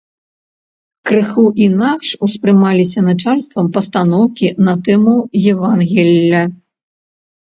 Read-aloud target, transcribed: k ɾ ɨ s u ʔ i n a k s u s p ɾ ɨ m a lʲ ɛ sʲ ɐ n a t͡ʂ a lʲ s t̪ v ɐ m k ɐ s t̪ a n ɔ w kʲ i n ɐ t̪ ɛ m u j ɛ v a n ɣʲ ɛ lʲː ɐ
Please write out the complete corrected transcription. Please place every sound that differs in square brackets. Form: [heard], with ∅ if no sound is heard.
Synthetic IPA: k ɾ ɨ [x] u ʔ i n a k [ʂ] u s p ɾ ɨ m a lʲ [i] sʲ ɐ n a t͡ʂ a lʲ s t̪ v ɐ m [p] ɐ s t̪ a n ɔ w kʲ i n ɐ t̪ ɛ m u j ɛ v a n ɣʲ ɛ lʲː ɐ

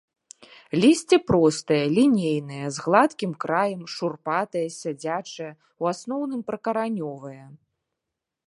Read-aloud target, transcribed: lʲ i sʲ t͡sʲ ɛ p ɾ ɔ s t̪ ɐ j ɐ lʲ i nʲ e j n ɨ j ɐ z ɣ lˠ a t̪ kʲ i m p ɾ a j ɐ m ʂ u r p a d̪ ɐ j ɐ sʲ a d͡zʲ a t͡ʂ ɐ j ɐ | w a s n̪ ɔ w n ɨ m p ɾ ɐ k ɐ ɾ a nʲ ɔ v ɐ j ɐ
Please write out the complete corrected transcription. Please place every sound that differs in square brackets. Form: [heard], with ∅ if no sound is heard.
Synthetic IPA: lʲ i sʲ t͡sʲ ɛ p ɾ ɔ s t̪ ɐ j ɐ lʲ i nʲ e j n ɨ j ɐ z ɣ lˠ a t̪ kʲ i m [k] ɾ a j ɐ m ʂ u r p a [t̪] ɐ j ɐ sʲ a d͡zʲ a t͡ʂ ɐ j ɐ | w a s n̪ ɔ w n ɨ m p ɾ ɐ k ɐ ɾ a nʲ ɔ v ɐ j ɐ

